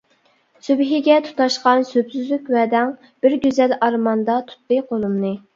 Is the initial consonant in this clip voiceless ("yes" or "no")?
yes